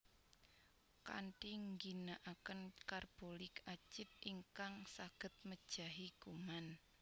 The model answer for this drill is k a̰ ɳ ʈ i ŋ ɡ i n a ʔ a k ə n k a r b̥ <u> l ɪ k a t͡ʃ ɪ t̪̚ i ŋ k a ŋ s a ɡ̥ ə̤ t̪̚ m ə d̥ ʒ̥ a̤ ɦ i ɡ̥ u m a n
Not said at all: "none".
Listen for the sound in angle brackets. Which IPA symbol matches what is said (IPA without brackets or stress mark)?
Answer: o